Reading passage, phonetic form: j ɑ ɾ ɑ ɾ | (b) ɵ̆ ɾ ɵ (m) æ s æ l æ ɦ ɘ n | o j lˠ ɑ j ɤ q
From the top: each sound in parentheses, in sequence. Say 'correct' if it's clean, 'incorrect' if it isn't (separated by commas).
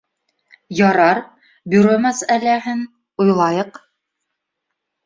correct, correct